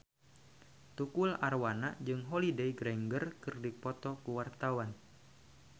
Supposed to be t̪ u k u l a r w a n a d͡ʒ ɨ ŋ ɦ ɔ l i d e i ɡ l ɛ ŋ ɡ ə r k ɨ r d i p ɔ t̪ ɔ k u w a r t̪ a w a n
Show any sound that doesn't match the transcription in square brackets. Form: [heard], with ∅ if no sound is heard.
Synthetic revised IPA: t̪ u k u l a r w a n a d͡ʒ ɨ ŋ ɦ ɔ l i d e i ɡ [ɾ] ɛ ŋ ɡ ə r k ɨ r d i p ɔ t̪ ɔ k u w a r t̪ a w a n